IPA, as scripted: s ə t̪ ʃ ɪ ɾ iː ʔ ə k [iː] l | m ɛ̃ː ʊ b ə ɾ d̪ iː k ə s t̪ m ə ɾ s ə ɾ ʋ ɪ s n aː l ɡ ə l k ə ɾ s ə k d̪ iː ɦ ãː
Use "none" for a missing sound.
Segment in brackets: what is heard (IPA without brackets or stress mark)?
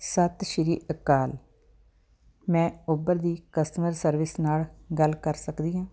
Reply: aː